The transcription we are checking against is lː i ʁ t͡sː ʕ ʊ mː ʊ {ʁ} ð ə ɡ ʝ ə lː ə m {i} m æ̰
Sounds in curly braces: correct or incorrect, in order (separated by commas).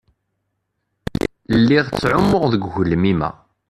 correct, correct